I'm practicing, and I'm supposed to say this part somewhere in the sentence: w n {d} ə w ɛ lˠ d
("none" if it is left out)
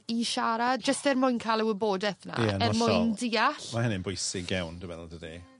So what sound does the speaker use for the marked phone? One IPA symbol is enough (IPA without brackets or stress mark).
d